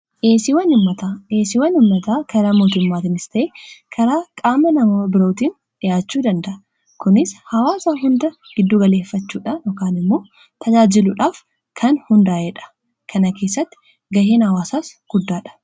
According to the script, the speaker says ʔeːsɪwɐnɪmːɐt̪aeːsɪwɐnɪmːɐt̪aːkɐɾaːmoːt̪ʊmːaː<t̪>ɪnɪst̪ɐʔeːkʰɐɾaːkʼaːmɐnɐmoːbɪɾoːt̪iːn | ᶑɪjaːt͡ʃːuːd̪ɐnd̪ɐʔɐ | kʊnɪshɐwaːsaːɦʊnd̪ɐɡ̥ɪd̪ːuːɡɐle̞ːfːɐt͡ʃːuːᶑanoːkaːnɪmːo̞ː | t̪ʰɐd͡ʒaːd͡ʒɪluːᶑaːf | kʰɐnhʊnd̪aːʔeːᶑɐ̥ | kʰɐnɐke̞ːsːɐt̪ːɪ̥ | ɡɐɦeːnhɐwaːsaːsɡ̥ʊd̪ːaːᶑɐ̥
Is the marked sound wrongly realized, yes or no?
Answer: no